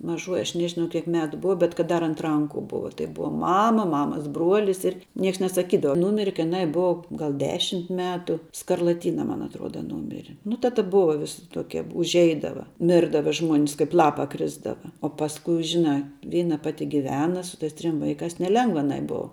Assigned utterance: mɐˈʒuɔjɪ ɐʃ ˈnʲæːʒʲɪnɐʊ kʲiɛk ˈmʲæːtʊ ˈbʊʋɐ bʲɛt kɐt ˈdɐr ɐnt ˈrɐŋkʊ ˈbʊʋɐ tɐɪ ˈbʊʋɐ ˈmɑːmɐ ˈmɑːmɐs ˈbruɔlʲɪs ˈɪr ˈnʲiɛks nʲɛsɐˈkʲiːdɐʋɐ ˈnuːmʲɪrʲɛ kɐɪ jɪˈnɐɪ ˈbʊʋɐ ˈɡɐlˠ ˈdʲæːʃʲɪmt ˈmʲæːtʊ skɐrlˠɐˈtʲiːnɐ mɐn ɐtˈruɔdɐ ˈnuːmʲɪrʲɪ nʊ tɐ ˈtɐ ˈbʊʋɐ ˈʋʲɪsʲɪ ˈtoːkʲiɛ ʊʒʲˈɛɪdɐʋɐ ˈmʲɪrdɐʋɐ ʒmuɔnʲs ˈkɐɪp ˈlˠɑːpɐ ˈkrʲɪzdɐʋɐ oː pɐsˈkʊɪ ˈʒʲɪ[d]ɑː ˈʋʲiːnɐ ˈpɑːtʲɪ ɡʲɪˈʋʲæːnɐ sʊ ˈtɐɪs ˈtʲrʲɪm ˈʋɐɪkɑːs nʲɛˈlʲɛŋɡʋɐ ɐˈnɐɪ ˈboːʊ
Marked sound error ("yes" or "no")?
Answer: yes